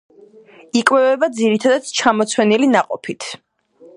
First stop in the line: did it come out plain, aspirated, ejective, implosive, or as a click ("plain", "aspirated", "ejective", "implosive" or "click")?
ejective